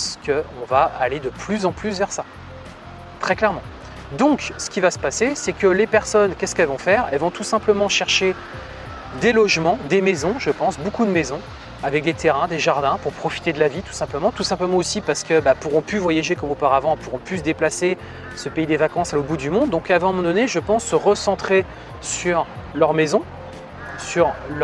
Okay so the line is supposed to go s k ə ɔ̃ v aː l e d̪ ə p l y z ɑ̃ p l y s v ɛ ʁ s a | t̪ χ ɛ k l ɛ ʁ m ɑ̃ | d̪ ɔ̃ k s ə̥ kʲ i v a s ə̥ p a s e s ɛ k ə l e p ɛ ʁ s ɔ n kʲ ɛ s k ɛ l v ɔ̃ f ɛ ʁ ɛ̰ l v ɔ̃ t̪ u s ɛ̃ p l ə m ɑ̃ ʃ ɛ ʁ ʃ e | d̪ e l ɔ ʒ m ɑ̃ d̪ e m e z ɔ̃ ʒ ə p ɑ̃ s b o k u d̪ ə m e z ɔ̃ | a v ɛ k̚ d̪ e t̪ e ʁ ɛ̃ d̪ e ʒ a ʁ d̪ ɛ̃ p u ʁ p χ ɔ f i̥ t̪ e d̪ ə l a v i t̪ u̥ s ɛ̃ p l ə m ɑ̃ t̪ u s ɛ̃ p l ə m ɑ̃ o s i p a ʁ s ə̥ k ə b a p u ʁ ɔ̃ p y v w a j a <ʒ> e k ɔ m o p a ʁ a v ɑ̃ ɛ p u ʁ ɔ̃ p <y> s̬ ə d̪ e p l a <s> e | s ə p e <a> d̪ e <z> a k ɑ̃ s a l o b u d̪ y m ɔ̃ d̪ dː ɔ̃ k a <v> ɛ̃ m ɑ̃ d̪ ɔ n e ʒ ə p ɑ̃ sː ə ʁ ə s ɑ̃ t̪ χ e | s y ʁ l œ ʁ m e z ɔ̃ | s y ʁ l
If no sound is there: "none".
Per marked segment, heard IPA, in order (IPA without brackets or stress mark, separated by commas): ʒ, y, s, i, v, v